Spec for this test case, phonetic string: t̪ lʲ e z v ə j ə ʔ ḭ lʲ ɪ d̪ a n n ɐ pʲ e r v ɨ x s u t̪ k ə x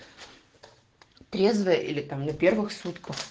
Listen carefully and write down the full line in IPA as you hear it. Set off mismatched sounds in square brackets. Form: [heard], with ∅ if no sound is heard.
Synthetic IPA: t̪ [ɾʲ] e z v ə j ə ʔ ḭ lʲ ɪ [t̪] a [m] n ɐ pʲ e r v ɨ x s u t̪ k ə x